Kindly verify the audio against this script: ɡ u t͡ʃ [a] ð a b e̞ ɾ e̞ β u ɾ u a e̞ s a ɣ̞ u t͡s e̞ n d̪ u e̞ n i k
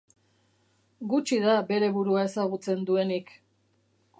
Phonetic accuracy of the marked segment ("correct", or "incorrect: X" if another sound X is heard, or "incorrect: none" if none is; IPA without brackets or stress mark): incorrect: i